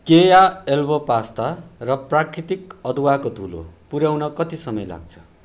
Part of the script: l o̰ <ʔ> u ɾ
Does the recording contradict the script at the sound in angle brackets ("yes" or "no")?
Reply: yes